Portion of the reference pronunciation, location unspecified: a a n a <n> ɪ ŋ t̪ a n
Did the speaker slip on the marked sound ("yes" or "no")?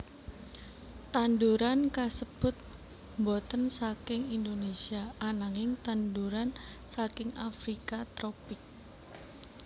yes